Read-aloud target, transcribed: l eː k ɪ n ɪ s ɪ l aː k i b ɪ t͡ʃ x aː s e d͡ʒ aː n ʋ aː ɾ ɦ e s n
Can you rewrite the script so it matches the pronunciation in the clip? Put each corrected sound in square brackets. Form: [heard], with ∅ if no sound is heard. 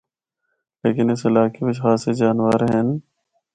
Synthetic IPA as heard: l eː k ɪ n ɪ s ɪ l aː k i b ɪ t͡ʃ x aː s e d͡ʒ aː n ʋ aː ɾ ɦ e [∅] n